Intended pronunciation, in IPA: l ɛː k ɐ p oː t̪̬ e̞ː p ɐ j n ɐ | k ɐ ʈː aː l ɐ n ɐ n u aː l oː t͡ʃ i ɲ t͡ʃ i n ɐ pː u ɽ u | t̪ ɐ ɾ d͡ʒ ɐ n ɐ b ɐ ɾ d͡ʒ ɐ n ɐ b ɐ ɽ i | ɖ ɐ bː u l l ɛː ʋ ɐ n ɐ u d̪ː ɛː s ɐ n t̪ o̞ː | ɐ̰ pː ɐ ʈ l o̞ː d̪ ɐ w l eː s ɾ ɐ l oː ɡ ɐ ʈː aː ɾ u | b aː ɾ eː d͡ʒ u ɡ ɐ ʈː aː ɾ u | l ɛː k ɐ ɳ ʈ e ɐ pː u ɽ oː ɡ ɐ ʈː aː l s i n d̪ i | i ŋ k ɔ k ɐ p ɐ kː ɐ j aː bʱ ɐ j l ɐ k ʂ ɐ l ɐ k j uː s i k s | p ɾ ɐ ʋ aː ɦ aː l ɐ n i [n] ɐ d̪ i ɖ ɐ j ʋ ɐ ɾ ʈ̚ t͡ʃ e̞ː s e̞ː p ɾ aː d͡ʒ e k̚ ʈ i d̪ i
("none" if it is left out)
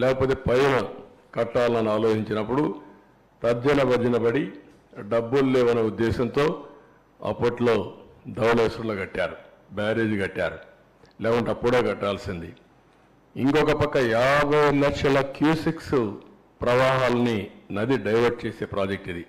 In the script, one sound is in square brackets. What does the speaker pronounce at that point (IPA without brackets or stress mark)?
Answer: n